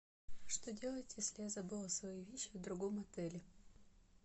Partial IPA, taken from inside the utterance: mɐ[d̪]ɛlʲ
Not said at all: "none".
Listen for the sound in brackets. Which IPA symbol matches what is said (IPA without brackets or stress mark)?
t̪